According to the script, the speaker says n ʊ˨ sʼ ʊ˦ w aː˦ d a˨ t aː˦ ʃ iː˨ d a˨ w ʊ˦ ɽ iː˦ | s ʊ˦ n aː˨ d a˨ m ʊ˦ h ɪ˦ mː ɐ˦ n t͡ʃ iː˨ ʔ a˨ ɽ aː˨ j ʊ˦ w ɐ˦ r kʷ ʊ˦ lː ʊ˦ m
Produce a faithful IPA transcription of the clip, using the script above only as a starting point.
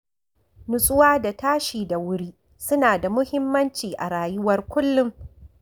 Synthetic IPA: n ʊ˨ sʼ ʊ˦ w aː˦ d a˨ t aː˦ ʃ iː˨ d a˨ w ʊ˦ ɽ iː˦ | s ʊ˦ n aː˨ d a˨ m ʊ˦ h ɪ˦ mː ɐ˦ n t͡ʃ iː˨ ʔ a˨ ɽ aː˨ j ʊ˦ w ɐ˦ r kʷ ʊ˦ lː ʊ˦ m